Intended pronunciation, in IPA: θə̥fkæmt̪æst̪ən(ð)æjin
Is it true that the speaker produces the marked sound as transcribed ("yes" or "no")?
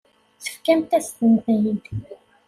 no